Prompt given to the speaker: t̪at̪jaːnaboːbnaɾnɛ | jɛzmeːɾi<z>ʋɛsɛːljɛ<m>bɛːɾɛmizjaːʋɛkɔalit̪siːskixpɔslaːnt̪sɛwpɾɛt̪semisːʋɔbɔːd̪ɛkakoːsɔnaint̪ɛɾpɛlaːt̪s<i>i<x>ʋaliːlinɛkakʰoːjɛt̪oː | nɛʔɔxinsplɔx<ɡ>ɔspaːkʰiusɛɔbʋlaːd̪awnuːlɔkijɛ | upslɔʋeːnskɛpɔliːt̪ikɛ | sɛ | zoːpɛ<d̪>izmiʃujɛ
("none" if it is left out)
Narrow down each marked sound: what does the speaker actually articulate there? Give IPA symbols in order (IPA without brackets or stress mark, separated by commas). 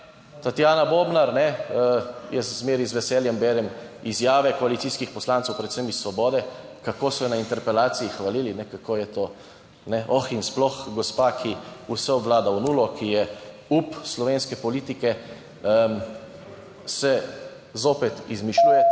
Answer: z, m, i, x, ɡ, t̪